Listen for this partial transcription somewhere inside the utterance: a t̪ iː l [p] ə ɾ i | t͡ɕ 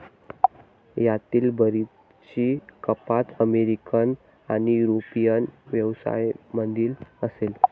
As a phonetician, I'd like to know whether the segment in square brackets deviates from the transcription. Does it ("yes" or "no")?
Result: yes